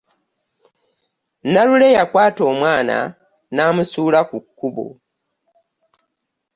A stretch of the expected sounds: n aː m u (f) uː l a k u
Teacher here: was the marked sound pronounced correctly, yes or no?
no